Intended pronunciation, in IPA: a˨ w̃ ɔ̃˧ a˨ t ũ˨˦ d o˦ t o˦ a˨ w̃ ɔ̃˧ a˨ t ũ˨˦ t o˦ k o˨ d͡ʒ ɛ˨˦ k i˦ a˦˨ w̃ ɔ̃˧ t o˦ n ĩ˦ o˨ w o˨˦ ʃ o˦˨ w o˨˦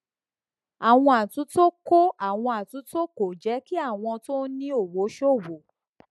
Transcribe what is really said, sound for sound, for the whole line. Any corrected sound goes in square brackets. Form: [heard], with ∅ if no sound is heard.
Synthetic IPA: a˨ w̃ ɔ̃˧ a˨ t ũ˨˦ [t] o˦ [k] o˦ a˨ w̃ ɔ̃˧ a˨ t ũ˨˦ t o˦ k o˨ d͡ʒ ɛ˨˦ k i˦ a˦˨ w̃ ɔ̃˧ t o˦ n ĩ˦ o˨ w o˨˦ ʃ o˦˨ w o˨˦